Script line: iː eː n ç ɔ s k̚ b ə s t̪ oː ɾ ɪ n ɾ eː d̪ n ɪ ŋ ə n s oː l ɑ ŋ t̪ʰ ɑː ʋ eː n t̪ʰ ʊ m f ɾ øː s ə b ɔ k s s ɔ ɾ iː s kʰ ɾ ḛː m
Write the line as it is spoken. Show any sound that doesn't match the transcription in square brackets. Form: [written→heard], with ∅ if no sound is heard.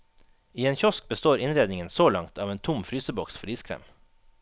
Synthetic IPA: iː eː n ç ɔ s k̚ b ə s t̪ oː ɾ ɪ n ɾ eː d̪ n ɪ ŋ ə n s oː l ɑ ŋ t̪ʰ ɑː ʋ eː n t̪ʰ ʊ m f ɾ [øː→yː] s ə b ɔ k s [s→f] ɔ ɾ iː s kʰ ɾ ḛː m